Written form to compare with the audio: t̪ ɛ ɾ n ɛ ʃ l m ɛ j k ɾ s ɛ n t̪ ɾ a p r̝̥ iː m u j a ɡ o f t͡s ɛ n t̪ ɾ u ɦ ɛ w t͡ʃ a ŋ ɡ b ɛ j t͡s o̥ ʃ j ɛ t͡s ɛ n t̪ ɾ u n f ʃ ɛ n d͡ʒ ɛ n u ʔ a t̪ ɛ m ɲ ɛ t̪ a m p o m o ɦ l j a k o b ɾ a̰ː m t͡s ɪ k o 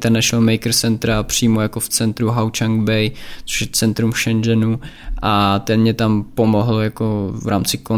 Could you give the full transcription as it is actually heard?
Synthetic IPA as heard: t̪ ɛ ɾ n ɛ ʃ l m ɛ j k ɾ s ɛ n t̪ ɾ a p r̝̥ iː m o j a k o f t͡s ɛ n t̪ ɾ u ɦ a w t͡ʃ a ŋ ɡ b ɛ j t͡s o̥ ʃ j ɛ t͡s ɛ n t̪ ɾ u m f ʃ ɛ n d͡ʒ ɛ n u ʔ a t̪ ɛ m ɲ ɛ t̪ a m p o m o ɦ l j a k o v ɾ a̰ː m t͡s ɪ k o